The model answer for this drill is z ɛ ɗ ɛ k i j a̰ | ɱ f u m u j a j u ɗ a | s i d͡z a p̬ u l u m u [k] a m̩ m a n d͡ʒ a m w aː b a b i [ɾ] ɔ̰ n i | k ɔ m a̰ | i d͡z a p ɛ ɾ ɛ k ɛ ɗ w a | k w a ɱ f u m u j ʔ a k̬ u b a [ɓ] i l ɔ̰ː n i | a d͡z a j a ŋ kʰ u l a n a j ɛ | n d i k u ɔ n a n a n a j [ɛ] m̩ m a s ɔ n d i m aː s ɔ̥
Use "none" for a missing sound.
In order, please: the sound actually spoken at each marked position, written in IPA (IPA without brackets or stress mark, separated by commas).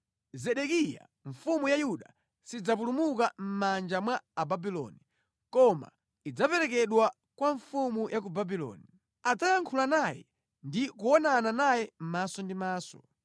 k, l, b, ɛ